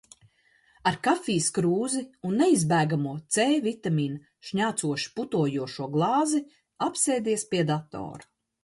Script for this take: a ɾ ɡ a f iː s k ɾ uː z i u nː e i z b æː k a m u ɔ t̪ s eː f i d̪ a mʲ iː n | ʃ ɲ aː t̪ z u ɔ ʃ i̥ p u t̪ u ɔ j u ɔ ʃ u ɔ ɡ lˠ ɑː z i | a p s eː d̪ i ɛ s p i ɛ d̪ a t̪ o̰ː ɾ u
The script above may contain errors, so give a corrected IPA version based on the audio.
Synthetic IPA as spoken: a ɾ k a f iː s k ɾ uː z i u nː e i z b æː ɡ a m u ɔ t̪ s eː v i t̪ a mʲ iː n | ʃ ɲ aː t̪ s u ɔ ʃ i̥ p u t̪ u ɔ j u ɔ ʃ u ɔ ɡ lˠ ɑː z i | a p s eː d̪ i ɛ s p i ɛ d̪ a t̪ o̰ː ɾ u